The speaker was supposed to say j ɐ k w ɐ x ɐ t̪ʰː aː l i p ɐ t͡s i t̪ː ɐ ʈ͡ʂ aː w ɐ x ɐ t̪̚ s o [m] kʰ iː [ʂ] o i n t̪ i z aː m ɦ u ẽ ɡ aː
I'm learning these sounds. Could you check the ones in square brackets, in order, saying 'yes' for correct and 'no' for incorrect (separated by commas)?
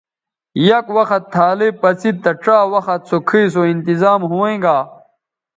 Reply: no, no